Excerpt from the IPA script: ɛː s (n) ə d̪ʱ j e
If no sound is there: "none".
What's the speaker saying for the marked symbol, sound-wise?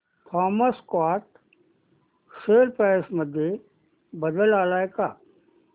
m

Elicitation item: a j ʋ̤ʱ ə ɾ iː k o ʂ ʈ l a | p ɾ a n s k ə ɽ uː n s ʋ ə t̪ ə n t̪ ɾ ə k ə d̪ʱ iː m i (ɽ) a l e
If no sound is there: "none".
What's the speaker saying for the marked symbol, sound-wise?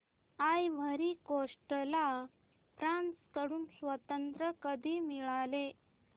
ɭ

